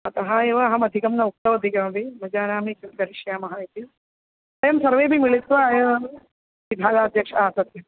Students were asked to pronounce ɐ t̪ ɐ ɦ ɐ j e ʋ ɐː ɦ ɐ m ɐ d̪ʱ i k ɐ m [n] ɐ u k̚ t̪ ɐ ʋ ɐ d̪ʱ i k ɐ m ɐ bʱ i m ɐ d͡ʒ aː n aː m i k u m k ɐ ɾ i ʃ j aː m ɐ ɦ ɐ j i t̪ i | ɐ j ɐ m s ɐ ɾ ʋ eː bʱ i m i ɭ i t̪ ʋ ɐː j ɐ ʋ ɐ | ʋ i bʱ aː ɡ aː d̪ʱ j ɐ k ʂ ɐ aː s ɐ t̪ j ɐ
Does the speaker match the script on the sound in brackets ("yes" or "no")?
yes